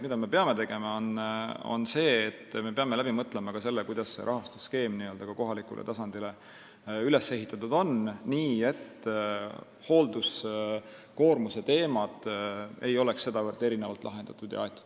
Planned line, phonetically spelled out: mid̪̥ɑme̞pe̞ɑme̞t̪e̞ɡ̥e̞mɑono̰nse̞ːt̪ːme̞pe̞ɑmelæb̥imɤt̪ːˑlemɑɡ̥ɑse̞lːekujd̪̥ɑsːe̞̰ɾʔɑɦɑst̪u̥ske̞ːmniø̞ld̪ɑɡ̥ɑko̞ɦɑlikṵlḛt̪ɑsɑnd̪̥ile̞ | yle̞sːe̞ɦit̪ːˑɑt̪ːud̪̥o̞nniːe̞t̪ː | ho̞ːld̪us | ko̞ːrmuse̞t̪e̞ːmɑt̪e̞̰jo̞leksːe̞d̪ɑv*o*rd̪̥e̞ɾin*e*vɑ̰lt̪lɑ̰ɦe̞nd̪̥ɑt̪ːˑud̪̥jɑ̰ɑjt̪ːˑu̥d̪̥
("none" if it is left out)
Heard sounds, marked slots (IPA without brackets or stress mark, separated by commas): ɤ, e